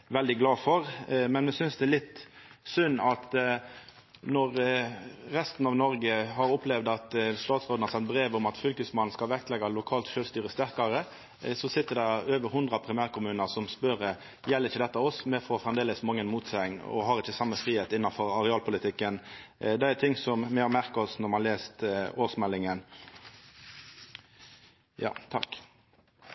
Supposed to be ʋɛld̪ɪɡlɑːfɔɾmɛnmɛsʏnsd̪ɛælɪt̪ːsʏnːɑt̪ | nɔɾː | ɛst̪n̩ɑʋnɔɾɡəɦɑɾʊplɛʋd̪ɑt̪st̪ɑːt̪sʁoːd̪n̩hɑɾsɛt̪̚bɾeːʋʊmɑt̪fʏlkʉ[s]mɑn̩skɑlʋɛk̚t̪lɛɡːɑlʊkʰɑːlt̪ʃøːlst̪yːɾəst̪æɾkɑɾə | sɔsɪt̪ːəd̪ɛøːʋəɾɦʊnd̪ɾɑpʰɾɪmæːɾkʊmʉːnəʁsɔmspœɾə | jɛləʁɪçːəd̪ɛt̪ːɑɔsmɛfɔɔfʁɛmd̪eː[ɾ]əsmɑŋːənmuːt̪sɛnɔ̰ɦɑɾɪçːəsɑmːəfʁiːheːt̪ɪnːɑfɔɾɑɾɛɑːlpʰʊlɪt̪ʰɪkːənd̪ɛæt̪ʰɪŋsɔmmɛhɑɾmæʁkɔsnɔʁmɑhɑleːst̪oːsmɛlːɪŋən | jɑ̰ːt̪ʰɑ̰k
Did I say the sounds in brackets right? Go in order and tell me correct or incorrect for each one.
correct, incorrect: l

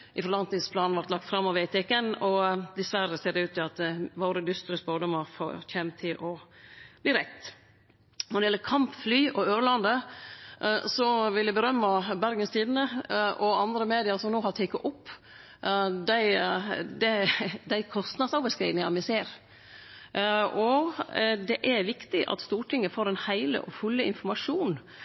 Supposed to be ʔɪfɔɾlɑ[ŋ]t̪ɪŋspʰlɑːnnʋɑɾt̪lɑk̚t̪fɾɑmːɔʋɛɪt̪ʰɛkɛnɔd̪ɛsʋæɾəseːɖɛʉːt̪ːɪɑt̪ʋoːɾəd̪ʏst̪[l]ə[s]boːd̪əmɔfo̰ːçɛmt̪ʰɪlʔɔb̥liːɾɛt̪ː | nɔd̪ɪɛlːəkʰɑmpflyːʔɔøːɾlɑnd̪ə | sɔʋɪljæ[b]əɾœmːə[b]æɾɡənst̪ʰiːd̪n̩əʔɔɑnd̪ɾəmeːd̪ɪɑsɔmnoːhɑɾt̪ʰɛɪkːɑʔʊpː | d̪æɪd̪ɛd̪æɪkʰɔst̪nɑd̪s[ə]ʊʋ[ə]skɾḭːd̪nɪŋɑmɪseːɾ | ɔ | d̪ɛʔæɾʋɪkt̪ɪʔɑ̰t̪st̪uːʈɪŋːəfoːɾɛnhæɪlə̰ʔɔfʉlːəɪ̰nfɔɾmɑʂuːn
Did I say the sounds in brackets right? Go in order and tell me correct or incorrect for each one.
incorrect: n, incorrect: ɾ, correct, correct, correct, incorrect: ɑ, correct

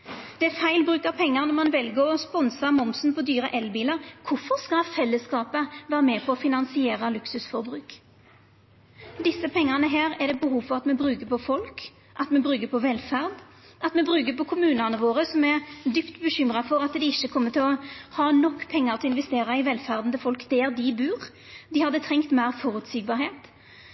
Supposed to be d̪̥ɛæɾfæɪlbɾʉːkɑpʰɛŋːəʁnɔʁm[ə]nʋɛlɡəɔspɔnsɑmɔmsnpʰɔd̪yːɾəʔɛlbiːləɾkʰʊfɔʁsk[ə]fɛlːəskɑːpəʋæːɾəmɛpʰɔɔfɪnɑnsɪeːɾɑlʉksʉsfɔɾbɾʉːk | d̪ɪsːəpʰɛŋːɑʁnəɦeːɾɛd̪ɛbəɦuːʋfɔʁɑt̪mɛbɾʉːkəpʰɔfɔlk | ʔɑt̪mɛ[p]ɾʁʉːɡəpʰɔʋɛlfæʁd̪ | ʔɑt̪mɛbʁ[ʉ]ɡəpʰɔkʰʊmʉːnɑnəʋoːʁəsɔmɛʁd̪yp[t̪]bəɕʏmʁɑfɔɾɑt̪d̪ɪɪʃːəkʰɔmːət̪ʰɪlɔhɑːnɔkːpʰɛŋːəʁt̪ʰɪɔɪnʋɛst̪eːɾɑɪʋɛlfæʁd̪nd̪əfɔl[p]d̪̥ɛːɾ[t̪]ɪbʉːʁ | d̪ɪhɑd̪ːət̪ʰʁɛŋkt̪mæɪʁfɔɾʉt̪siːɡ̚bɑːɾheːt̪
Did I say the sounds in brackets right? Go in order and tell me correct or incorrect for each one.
incorrect: ɑ, incorrect: ɑ, incorrect: b, incorrect: ʉː, correct, incorrect: k, incorrect: d̪

